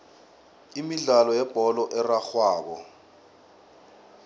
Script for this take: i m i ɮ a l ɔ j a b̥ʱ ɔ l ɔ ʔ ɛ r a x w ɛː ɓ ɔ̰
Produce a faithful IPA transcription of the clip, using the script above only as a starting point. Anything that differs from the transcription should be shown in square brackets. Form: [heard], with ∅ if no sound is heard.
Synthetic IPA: i m i ɮ a l ɔ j [ɛ] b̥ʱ ɔ l ɔ ʔ ɛ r a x w [aː] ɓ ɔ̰